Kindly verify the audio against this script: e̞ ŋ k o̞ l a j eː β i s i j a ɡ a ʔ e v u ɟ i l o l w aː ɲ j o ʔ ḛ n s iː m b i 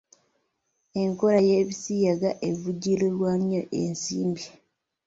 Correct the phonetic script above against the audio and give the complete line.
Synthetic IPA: e̞ ŋ k o̞ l a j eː β i s i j a ɡ a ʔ e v u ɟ i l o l w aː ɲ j o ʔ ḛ n s iː m b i